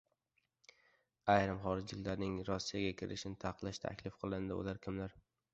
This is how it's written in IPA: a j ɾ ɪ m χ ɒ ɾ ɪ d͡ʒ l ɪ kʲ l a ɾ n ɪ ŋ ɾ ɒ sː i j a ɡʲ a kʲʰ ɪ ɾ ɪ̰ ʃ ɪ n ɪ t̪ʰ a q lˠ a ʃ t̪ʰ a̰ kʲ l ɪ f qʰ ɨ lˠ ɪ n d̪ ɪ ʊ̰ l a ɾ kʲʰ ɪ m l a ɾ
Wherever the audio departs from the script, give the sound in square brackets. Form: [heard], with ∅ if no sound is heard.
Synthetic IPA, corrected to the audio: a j ɾ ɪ m χ ɒ ɾ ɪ d͡ʒ l ɪ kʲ l a ɾ n ɪ ŋ ɾ ɒ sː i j a ɡʲ a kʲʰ ɪ ɾ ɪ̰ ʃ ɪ n ɪ t̪ʰ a q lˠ a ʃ t̪ʰ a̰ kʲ l ɪ f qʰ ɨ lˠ ɪ n d̪ ɪ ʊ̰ l a ɾ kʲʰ ɪ m l a ɾ